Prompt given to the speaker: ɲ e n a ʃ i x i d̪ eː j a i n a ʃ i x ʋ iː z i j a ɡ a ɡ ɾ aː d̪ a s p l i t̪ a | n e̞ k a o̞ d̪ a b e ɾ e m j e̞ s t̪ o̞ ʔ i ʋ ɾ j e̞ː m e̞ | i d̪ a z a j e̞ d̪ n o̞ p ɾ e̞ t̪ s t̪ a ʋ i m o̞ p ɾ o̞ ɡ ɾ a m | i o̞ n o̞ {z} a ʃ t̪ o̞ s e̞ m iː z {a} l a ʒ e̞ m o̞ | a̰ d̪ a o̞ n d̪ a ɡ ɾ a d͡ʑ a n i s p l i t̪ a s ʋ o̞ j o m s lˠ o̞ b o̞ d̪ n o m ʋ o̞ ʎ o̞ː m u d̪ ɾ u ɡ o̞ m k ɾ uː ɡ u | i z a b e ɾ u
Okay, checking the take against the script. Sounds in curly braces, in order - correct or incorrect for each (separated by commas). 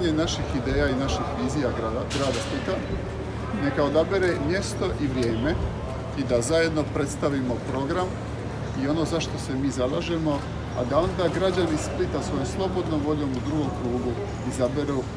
correct, correct